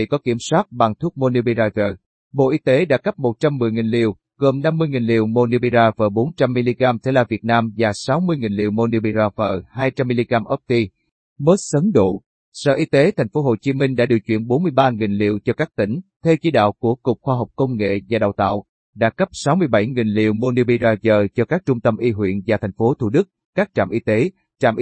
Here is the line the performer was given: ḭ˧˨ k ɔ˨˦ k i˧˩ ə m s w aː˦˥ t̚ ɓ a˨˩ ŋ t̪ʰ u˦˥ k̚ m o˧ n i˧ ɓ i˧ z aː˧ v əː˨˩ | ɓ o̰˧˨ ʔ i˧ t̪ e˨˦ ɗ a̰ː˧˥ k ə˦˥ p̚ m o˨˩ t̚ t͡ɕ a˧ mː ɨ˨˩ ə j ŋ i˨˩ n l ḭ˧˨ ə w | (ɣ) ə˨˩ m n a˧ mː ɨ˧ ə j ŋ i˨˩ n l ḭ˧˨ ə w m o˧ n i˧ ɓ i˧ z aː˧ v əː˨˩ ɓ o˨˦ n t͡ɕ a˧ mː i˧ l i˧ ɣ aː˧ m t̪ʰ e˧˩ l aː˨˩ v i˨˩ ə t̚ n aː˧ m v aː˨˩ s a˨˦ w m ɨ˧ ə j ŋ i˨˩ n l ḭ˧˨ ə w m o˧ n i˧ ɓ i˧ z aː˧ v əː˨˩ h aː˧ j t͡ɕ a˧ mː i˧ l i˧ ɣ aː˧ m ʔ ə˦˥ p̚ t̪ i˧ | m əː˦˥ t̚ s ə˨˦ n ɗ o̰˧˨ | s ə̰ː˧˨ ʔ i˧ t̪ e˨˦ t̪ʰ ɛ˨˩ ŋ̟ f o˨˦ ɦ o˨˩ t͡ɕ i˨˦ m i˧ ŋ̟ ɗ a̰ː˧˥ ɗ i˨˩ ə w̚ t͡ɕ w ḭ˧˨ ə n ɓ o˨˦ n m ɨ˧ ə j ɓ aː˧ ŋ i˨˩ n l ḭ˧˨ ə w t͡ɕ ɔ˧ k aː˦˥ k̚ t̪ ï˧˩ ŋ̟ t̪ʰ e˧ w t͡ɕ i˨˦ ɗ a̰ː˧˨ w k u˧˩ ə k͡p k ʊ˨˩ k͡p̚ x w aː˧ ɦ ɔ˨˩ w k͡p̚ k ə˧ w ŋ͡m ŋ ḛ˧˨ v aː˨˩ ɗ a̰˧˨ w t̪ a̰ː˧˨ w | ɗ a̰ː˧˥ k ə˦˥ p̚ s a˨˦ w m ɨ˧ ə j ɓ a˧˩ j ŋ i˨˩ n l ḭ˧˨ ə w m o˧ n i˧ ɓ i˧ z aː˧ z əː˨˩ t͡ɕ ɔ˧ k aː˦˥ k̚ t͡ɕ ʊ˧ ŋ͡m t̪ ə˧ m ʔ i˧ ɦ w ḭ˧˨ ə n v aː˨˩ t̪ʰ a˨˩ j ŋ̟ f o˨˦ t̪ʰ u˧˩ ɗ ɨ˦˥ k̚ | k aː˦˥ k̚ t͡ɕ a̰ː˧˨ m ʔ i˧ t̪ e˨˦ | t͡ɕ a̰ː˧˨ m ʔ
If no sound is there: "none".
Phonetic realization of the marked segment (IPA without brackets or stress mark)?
ɣ